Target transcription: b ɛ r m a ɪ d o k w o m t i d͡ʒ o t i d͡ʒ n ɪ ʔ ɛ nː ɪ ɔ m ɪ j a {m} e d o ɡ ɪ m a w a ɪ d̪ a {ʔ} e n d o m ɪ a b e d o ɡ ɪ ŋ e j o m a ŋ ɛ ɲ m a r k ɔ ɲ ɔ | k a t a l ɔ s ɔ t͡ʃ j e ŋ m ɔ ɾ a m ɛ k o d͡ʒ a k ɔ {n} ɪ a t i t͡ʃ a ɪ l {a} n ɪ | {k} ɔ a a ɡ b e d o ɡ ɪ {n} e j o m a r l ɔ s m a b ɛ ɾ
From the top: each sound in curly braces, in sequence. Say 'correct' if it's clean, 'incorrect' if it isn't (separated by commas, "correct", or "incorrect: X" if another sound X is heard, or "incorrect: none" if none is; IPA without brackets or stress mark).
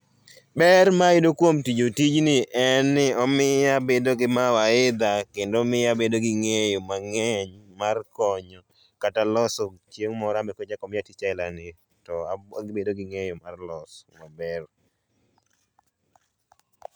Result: incorrect: b, incorrect: k, incorrect: m, correct, incorrect: t, incorrect: ŋ